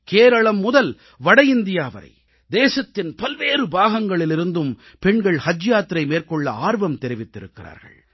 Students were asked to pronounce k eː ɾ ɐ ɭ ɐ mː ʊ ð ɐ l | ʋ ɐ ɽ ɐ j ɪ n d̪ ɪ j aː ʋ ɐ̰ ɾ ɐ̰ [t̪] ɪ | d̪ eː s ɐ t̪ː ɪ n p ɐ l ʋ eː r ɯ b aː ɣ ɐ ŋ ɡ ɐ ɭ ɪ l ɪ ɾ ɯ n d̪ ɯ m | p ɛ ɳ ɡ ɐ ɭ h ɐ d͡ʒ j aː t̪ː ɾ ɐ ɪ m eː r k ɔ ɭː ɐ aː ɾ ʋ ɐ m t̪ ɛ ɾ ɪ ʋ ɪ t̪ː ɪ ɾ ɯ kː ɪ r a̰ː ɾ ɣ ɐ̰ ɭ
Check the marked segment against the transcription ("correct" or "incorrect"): incorrect